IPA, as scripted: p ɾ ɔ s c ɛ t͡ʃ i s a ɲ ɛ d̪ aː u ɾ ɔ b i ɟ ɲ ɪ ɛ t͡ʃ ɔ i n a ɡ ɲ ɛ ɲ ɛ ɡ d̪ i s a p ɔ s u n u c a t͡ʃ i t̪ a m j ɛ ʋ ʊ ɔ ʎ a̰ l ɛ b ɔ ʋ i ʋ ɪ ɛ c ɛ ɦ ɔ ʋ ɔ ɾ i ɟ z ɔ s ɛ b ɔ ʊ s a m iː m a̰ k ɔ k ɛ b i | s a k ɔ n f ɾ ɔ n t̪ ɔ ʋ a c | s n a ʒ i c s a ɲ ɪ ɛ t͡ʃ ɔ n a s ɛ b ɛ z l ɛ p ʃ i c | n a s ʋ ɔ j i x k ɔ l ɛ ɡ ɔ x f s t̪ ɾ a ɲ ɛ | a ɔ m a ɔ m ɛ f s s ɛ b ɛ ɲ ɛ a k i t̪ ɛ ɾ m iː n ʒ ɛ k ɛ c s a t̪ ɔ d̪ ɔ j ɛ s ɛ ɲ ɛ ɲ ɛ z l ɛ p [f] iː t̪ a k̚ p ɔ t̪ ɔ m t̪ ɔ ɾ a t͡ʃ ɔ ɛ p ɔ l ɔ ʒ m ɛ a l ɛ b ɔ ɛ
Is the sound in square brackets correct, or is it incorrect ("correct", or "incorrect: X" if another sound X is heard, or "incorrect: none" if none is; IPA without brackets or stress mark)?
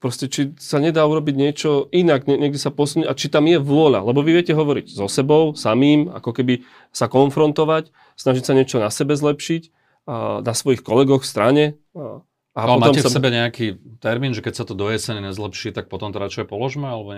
incorrect: ʃ